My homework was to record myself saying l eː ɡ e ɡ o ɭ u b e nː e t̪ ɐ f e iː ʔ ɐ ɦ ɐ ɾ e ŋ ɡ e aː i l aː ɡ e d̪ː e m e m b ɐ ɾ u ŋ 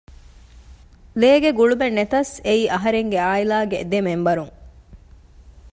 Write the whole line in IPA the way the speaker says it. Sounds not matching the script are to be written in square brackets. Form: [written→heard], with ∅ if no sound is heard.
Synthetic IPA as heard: l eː ɡ e ɡ [o→u] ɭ u b e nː e t̪ ɐ [f→s] e iː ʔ ɐ ɦ ɐ ɾ e ŋ ɡ e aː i l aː ɡ e [d̪ː→d̪] e m e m b ɐ ɾ u ŋ